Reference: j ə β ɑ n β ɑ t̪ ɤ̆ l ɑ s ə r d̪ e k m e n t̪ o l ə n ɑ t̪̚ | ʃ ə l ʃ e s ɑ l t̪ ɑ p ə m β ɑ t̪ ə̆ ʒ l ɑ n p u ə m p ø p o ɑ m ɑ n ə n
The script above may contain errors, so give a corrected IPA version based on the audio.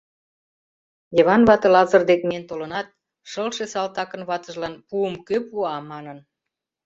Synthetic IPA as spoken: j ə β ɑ n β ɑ t̪ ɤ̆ l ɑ z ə r d̪ e k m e n t̪ o l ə n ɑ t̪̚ | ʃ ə l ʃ e s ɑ l t̪ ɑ k ə n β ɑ t̪ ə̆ ʒ l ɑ n p u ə m k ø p u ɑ m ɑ n ə n